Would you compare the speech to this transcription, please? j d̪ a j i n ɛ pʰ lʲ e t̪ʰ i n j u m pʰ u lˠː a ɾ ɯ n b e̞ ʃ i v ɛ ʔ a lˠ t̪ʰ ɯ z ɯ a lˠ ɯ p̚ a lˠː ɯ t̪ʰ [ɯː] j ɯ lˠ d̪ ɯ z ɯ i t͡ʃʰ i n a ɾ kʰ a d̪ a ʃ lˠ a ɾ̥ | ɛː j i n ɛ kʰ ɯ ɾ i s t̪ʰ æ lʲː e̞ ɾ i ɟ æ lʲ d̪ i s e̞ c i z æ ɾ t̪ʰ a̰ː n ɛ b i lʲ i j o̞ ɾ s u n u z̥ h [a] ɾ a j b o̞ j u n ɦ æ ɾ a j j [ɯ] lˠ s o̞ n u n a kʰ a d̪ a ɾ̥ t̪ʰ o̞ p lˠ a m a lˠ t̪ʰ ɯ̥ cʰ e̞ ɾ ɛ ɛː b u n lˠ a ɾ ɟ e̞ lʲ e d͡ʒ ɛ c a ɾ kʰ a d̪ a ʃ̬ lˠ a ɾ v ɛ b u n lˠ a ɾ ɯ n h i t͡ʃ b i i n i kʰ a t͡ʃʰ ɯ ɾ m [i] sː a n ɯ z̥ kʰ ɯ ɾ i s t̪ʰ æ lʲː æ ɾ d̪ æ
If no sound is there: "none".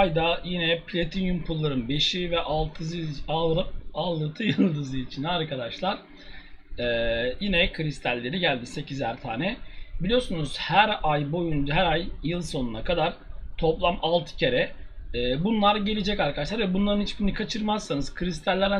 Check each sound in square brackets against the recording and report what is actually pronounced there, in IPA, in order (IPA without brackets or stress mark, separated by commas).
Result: ɯ, æ, ɯ, a